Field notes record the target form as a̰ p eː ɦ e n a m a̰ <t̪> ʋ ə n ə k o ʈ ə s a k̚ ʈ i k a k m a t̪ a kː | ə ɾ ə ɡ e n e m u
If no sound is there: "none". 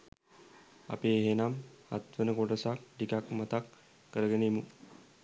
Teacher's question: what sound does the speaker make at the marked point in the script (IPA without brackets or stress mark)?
t̪